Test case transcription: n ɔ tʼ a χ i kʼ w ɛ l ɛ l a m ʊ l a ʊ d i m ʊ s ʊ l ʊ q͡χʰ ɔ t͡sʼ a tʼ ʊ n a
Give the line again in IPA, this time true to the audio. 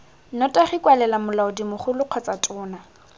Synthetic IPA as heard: n ɔ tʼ a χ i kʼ w a l ɛ l a m ʊ l a ʊ d i m ʊ χ ʊ l ʊ q͡χʰ ɔ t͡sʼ a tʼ ʊː n a